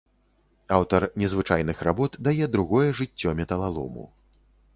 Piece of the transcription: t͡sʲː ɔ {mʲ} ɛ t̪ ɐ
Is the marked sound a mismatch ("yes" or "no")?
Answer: no